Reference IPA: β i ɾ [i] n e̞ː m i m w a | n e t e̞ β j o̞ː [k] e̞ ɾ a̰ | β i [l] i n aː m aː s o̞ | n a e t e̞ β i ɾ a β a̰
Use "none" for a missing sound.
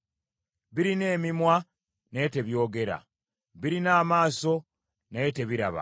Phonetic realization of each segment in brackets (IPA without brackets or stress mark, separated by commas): i, ɡ, ɾ